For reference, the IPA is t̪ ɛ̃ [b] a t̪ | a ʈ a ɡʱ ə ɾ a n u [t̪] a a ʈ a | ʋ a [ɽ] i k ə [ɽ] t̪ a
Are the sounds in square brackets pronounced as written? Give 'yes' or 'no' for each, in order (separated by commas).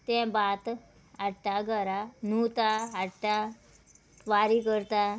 yes, yes, no, no